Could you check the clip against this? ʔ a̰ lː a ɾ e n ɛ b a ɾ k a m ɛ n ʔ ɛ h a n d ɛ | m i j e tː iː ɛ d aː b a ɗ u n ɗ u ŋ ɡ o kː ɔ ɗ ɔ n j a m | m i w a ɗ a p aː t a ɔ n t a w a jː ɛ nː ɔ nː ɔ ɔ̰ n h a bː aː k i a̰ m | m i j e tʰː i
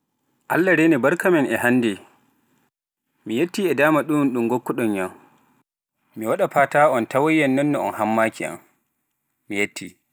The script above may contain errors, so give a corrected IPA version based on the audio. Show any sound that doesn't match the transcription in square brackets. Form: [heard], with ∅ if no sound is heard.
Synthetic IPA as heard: ʔ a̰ lː a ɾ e n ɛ b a ɾ k a m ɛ n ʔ ɛ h a n d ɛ | m i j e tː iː ɛ d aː [m] a ɗ u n ɗ u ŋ ɡ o kː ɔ ɗ ɔ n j a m | m i w a ɗ a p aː t a ɔ n t a w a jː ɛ nː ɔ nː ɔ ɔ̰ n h a [mː] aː k i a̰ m | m i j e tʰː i